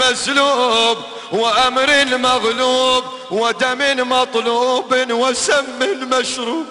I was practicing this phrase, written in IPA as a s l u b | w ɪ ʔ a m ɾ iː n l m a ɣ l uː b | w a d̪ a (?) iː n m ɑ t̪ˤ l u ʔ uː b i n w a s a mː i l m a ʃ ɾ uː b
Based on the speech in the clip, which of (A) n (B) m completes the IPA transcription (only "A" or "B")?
B